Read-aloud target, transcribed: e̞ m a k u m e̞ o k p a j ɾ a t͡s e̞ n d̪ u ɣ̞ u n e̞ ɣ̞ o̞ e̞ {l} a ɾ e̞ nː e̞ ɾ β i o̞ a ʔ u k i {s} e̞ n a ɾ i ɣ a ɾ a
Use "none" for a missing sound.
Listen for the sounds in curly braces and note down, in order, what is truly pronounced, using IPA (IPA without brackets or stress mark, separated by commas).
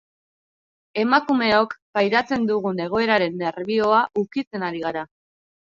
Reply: ɾ, t͡s